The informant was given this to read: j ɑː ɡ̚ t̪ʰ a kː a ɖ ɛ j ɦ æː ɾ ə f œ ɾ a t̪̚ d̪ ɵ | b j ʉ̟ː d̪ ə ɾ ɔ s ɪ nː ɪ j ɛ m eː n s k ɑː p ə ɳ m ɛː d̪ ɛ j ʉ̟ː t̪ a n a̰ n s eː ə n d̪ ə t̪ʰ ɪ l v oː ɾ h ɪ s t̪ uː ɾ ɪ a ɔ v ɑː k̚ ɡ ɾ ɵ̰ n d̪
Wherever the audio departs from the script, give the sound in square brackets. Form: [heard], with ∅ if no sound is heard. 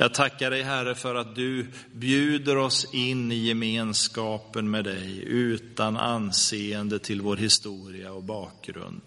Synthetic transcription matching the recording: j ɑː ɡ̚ t̪ʰ a kː a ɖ ɛ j ɦ [æ] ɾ ə f œ ɾ a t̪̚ d̪ ɵ | b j ʉ̟ː d̪ ə ɾ ɔ s ɪ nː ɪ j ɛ m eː n s k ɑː p ə [n] m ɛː d̪ ɛ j ʉ̟ː t̪ a n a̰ n s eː ə n d̪ ə t̪ʰ ɪ l v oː ɾ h ɪ s t̪ uː ɾ ɪ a ɔ [b] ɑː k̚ ɡ ɾ ɵ̰ n d̪